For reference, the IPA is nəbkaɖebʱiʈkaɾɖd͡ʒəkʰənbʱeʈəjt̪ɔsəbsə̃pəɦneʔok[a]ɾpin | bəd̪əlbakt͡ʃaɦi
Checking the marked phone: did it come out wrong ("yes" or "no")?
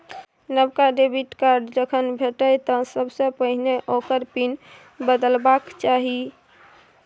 yes